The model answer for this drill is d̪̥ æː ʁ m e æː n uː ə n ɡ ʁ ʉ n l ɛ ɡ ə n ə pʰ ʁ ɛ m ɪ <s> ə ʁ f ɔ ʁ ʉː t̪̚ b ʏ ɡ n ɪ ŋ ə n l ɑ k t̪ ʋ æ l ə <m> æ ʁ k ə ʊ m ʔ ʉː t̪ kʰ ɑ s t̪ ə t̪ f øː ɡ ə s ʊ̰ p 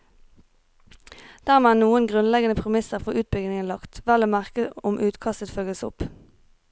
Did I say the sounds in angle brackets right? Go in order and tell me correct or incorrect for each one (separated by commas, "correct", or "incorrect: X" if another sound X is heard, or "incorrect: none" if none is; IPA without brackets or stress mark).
correct, correct